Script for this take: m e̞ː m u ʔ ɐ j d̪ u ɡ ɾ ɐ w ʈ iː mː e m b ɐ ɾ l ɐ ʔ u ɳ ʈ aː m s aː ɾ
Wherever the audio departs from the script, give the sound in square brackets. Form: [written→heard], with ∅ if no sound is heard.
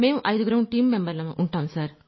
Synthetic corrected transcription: m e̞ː m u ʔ ɐ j d̪ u ɡ ɾ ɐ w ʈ iː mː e m b ɐ ɾ l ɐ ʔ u ɳ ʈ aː m s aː ɾ